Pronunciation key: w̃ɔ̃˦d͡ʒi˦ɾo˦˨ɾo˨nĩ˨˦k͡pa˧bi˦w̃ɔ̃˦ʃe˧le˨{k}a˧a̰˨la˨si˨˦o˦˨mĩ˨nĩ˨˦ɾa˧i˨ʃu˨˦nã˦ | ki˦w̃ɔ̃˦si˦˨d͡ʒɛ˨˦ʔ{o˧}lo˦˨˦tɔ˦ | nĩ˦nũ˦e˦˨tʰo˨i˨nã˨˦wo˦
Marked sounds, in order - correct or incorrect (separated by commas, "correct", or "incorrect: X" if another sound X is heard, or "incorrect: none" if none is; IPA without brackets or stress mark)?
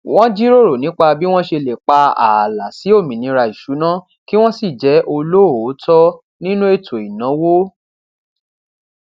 incorrect: k͡p, correct